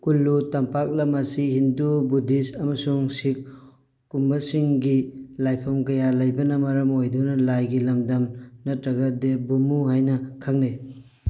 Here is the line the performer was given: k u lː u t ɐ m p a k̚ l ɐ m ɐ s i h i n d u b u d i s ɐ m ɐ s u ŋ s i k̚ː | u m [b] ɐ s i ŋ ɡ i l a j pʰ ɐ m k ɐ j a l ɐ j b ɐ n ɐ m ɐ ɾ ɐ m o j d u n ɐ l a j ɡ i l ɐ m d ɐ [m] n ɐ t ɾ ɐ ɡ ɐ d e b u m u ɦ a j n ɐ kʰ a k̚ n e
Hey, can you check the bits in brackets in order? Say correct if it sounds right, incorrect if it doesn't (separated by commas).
correct, correct